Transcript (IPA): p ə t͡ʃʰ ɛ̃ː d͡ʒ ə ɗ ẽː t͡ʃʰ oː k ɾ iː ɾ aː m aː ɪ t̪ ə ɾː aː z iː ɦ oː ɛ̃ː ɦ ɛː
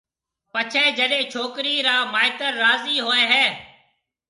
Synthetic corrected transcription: p ə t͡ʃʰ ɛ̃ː d͡ʒ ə ɗ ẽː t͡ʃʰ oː k ɾ iː ɾ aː m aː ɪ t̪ ə ɾː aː z iː ɦ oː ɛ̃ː ɦ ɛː